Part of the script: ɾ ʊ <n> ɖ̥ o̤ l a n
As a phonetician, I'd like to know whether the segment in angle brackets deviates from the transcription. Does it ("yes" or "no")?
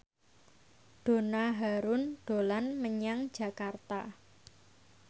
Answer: no